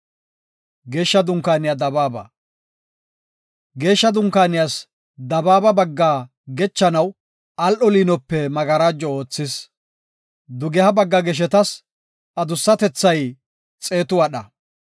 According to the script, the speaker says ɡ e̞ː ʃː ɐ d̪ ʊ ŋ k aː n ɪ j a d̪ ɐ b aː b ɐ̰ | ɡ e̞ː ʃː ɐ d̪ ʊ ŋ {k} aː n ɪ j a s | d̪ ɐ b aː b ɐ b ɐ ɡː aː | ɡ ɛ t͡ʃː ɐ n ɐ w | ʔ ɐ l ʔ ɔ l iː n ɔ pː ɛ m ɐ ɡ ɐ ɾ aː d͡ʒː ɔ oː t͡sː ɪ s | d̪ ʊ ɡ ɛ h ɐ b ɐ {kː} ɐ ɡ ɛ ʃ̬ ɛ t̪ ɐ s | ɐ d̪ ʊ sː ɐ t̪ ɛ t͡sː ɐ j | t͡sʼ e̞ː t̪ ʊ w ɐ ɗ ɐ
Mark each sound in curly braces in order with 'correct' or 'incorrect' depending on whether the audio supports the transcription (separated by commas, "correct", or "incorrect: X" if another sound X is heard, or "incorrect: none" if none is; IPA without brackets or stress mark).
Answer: correct, incorrect: ɡː